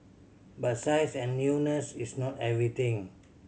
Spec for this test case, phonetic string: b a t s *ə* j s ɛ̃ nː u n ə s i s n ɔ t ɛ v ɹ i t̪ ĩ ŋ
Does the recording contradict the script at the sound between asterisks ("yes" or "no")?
yes